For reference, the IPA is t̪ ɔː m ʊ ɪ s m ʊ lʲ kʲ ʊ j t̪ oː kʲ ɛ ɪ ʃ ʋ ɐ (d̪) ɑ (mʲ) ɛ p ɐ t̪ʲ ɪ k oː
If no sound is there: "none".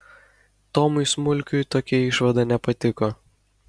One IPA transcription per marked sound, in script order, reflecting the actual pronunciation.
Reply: d̪, nʲ

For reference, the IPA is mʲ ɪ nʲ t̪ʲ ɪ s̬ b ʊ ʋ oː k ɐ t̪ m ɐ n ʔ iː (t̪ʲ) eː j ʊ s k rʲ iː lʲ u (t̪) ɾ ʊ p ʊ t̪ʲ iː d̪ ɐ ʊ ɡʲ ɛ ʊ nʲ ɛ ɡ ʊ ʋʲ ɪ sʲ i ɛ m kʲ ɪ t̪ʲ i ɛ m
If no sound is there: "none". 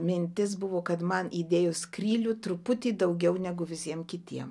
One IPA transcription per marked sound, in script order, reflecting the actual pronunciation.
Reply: d̪ʲ, t̪

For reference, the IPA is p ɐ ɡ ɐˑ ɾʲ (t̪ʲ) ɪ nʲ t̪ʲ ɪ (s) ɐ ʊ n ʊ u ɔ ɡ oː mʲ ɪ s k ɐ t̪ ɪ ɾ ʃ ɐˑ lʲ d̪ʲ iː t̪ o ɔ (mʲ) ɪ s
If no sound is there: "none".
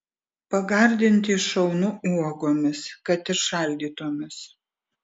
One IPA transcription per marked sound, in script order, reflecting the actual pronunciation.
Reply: d̪ʲ, ʃ, mʲ

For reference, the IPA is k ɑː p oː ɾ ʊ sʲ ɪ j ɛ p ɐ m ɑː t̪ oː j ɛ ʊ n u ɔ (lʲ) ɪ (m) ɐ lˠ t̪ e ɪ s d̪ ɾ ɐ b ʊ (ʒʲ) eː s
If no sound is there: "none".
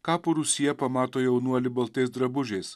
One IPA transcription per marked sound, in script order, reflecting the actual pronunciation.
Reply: lʲ, b, ʒʲ

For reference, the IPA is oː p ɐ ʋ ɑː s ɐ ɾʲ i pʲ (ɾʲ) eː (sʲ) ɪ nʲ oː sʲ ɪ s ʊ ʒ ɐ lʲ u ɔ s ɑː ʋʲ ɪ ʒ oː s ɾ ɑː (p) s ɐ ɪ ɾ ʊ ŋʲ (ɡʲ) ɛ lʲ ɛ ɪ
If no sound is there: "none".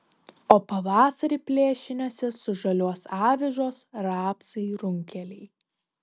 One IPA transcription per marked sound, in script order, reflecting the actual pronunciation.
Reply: lʲ, ʃʲ, p, kʲ

